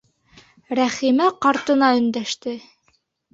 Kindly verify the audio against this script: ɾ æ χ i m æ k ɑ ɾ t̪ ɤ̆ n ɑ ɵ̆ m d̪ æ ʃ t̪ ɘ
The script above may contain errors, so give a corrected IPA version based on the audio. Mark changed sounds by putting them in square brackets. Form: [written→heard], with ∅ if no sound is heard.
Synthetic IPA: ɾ æ χ i m æ [k→q] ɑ ɾ t̪ ɤ̆ n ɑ ɵ̆ [m→n] d̪ æ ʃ t̪ ɘ